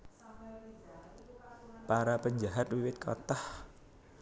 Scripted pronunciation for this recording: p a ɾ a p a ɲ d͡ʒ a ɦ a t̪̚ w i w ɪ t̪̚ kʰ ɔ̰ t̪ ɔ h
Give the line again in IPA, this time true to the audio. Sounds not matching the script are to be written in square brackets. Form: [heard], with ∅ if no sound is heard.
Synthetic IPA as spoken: p a ɾ a p [ə] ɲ d͡ʒ a ɦ a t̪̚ w i w ɪ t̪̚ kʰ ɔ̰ t̪ ɔ h